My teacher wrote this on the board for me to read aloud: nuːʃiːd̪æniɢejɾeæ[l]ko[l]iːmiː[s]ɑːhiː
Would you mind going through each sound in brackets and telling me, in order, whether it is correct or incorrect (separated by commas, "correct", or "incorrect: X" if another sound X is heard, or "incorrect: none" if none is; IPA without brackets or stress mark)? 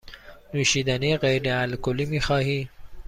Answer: correct, correct, incorrect: x